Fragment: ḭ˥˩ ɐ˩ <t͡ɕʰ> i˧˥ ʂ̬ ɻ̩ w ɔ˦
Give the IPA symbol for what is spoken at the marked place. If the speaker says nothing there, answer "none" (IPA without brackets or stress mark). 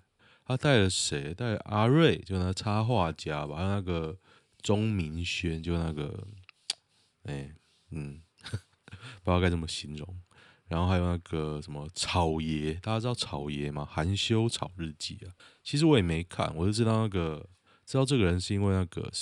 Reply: t͡ɕʰ